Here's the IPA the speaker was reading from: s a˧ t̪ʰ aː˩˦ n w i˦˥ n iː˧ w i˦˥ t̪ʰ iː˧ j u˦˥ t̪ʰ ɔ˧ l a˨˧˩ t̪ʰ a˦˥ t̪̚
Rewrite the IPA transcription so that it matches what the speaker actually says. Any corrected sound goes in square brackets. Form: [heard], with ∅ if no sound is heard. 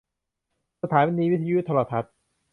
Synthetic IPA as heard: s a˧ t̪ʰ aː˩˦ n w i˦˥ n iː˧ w i˦˥ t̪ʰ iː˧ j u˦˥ t̪ʰ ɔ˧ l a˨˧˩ t̪ʰ a˦˥ t̪̚